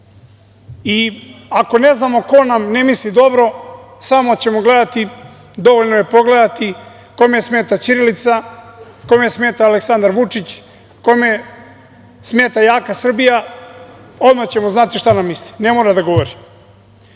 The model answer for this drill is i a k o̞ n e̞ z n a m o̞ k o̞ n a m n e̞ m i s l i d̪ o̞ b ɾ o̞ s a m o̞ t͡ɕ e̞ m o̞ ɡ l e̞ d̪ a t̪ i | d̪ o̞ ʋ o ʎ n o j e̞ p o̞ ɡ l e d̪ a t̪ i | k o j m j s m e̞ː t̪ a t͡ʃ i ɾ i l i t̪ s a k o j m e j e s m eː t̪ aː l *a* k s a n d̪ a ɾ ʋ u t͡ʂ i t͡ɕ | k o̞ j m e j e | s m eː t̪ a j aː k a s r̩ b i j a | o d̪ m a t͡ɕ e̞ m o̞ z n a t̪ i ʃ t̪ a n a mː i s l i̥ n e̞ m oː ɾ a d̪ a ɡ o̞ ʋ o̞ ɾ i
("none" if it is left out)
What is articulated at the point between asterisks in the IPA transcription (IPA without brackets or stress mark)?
e